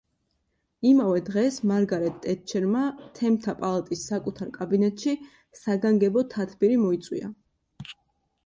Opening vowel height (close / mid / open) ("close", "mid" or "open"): close